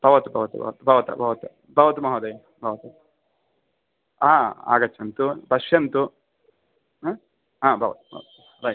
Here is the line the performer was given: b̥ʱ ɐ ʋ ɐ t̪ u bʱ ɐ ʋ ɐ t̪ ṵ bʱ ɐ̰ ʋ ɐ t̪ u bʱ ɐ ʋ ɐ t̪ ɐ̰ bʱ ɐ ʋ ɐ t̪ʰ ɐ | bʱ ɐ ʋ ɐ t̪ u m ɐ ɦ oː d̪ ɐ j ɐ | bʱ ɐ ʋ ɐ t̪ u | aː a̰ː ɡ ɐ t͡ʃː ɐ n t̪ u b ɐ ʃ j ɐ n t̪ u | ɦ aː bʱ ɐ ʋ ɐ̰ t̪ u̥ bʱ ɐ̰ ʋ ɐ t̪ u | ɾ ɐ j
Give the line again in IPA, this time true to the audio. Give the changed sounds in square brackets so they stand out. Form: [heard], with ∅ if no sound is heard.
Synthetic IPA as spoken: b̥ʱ ɐ ʋ ɐ t̪ u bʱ ɐ ʋ ɐ t̪ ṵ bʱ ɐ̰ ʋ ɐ t̪ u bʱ ɐ ʋ ɐ t̪ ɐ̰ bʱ ɐ ʋ ɐ [t̪] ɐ | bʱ ɐ ʋ ɐ t̪ u m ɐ ɦ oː d̪ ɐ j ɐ | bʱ ɐ ʋ ɐ t̪ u | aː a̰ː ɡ ɐ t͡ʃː ɐ n t̪ u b ɐ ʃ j ɐ n t̪ u | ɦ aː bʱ ɐ ʋ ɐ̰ t̪ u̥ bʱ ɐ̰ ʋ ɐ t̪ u | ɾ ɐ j